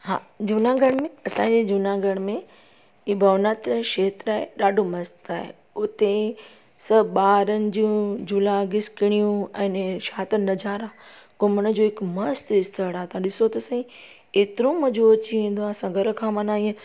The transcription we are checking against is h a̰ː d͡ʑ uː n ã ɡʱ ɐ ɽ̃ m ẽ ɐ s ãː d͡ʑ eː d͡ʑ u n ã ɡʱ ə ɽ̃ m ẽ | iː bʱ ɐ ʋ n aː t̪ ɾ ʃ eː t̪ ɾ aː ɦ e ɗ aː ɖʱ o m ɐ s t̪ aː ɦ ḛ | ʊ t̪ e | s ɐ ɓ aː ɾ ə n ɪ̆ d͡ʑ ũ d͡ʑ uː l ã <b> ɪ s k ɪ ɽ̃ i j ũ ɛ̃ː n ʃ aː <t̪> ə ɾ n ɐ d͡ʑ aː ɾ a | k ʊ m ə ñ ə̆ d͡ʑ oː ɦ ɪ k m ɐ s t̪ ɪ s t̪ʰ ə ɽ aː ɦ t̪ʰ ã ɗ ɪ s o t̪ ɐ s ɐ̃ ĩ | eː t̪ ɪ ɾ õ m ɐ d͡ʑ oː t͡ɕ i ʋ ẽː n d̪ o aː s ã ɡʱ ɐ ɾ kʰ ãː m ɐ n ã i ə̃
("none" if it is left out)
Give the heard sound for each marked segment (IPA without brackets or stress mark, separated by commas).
ɡ, t̪